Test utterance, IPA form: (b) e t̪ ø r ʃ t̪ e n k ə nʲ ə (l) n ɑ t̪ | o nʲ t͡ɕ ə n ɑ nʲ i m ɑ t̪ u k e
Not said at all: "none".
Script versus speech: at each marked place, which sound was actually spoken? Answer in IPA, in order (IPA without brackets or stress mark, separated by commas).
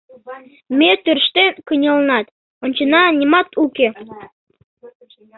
m, l